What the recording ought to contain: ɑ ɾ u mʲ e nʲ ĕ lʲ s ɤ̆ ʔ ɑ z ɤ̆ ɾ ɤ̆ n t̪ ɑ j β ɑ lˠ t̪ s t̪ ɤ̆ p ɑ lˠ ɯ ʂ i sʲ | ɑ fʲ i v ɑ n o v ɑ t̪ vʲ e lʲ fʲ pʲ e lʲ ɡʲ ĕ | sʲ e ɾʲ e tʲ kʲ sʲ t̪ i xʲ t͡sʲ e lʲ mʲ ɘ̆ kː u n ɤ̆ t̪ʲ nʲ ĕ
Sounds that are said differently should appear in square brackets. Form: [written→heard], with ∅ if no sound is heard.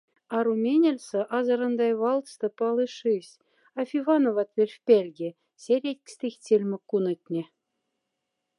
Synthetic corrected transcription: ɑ ɾ u mʲ e nʲ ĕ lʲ s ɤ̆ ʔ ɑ z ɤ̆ ɾ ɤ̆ n [t̪→d̪] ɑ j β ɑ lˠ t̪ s t̪ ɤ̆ p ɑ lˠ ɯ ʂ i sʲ | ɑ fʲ i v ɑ n o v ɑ t̪ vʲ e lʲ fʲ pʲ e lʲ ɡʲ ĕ | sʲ e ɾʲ e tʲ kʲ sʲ t̪ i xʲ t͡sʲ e lʲ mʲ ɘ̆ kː u n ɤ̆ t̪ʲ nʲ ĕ